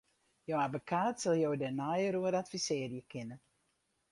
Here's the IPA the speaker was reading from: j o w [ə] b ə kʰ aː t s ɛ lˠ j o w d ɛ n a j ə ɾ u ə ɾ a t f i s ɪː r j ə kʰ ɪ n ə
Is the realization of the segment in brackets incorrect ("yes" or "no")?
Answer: yes